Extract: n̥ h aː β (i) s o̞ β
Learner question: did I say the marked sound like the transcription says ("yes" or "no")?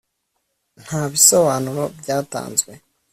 yes